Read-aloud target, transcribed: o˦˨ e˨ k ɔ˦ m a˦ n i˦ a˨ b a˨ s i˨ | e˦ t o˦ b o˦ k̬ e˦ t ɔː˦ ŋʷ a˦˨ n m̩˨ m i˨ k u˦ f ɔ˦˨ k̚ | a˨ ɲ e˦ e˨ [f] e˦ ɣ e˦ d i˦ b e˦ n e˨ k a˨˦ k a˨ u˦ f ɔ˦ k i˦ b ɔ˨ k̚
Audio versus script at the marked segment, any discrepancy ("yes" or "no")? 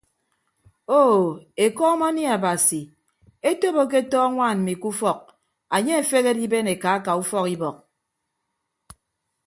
no